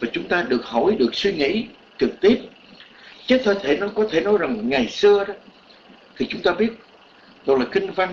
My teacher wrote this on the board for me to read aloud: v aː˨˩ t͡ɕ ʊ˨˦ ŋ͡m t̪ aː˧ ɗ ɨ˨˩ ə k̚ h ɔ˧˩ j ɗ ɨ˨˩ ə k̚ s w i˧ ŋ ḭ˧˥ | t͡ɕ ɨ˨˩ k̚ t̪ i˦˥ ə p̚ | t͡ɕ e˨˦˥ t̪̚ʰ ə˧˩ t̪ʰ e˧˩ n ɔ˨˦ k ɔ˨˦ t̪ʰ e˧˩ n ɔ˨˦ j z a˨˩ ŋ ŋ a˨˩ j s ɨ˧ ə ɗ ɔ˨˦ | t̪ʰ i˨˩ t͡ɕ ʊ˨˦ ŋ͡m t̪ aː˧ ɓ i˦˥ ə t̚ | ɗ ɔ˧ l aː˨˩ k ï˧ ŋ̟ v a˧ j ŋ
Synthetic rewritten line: v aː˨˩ t͡ɕ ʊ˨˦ ŋ͡m t̪ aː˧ ɗ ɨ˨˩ ə k̚ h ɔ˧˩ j ɗ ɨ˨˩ ə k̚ s w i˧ ŋ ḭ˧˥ | t͡ɕ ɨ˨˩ k̚ t̪ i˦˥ ə p̚ | t͡ɕ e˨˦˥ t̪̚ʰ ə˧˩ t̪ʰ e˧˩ n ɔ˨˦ k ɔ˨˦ t̪ʰ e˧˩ n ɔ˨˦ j z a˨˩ ŋ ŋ a˨˩ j s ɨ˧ ə ɗ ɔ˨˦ | t̪ʰ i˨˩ t͡ɕ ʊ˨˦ ŋ͡m t̪ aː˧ ɓ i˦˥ ə t̚ | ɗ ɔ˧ l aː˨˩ k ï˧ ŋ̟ v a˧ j ŋ